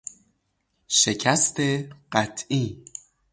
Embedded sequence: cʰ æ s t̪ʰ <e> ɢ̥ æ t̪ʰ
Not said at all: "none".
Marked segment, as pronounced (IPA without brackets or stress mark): e